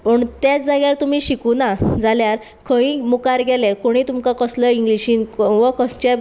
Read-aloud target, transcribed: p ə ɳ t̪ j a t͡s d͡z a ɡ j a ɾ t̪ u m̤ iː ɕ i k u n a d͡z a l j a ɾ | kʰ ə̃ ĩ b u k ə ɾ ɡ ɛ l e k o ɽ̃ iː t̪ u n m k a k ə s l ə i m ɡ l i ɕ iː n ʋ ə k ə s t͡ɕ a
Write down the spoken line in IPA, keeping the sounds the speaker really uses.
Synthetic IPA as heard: p ə ɳ t̪ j a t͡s d͡z a ɡ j a ɾ t̪ u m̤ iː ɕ i k u n a d͡z a l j a ɾ | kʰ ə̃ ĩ m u k a ɾ ɡ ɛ l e k o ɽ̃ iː t̪ u m k a k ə s l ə i ŋ ɡ l i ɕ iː n ʋ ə k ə s t͡ɕ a

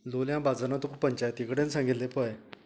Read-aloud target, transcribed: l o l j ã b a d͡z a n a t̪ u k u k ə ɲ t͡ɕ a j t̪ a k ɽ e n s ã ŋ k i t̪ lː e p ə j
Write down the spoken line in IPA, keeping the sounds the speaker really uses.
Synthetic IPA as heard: l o l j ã b a d͡z a n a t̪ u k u p ə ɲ t͡ɕ a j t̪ i k ɽ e n s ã ŋ ɡ i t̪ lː e p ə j

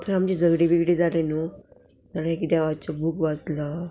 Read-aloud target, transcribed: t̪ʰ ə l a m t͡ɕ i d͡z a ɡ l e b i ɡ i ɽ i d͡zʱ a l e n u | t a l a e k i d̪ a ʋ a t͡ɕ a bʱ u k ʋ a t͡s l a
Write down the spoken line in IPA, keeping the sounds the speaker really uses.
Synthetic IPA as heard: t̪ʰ ə ɾ a m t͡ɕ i d͡z ə ɡ ɽ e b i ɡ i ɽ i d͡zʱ a l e n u | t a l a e k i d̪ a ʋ a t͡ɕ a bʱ u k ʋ a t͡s l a

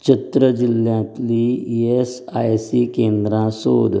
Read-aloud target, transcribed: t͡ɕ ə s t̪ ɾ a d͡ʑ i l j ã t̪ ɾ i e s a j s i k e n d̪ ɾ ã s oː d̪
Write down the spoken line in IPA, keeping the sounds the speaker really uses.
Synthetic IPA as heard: t͡ɕ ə t̪ ɾ ə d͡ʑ i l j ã t̪ l i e s a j s i k e n d̪ ɾ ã s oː d̪

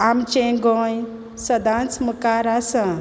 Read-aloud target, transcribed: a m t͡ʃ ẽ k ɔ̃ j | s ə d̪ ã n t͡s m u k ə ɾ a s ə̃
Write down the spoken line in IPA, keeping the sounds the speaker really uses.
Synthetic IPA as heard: a m t͡ʃ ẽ ɡ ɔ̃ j | s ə d̪ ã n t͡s m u k a ɾ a s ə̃

